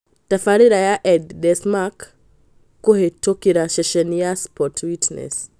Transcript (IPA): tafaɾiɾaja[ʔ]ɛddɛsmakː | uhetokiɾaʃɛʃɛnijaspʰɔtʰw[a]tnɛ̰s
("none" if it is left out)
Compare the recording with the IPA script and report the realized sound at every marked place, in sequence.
ʔ, i

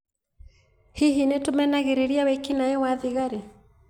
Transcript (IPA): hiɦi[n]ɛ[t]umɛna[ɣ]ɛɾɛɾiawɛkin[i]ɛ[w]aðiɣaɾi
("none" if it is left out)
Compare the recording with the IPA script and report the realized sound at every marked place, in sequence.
n, t, ɣ, a, w

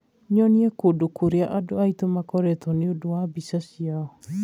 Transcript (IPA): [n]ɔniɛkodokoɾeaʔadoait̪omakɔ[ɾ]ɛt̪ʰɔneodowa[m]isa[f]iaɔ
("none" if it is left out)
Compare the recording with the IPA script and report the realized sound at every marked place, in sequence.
ɲ, ɾ, b, s

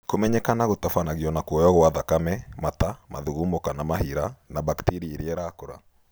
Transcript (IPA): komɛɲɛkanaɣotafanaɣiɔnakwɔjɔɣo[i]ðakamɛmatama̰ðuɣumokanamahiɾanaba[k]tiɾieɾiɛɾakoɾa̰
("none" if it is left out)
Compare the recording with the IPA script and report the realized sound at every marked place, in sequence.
a, k

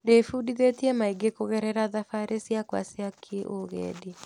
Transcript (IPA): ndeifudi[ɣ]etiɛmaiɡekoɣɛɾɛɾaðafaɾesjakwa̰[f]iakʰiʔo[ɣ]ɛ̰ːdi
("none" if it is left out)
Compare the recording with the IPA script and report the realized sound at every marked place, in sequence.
ð, s, ɣ

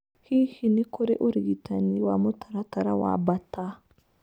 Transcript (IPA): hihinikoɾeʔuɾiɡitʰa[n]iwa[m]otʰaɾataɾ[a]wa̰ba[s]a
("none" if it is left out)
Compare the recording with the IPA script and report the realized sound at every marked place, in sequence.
n, m, a, t

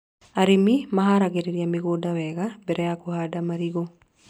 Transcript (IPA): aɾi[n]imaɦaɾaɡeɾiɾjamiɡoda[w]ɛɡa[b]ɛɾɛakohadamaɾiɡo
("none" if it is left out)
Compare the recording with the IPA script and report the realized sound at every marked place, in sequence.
m, w, b

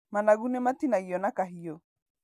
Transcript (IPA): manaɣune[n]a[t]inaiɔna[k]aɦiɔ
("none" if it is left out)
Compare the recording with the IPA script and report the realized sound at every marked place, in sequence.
m, t, k

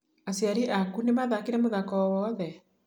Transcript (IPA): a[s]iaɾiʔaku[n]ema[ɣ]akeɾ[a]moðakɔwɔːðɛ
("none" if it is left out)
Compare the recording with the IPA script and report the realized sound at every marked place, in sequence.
s, n, ð, ɛ

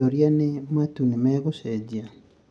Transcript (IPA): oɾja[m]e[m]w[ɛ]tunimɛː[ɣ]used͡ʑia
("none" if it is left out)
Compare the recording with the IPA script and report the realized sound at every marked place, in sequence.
n, m, a, ɣ

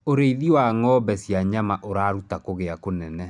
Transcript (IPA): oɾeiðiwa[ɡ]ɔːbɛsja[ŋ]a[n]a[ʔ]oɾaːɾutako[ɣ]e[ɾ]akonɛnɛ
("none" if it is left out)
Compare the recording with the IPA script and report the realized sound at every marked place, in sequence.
ŋ, ɲ, m, ʔ, ɣ, none

